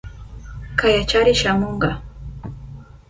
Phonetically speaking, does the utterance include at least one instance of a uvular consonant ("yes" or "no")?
yes